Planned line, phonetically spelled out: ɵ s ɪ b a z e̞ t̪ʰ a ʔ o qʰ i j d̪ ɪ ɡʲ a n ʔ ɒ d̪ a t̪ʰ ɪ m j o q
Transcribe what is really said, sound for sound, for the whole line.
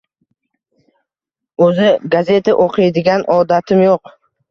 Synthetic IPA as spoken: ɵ z ɪ ɡ a z e̞ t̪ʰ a ʔ o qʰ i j d̪ ɪ ɡʲ a n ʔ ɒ d̪ a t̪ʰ ɪ m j o q